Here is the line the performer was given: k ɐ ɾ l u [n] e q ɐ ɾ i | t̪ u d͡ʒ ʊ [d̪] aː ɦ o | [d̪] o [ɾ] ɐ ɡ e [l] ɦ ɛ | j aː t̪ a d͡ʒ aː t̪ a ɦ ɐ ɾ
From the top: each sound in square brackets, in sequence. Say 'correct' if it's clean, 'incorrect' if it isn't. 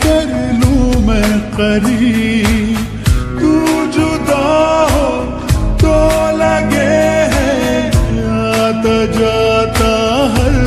incorrect: m, correct, incorrect: t̪, incorrect: l, incorrect: none

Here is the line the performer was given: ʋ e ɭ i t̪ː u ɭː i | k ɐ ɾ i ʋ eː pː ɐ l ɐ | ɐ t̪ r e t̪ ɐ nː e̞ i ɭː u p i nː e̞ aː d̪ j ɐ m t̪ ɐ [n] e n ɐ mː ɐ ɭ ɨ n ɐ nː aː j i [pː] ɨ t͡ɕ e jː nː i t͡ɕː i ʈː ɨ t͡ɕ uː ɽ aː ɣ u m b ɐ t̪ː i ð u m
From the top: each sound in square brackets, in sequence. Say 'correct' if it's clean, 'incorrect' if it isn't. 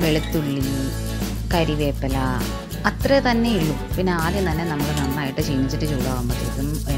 incorrect: nː, incorrect: ʈː

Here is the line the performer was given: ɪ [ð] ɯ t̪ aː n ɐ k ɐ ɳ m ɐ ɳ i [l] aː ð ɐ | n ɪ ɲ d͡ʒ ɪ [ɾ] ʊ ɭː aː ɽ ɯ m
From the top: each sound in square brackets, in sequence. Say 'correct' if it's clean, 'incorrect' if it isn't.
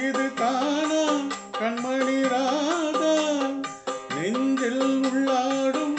correct, incorrect: ɾ, incorrect: l

